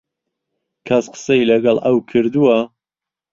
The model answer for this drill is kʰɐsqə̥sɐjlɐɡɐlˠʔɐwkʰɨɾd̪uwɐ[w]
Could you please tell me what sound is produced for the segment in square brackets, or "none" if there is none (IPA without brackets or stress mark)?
none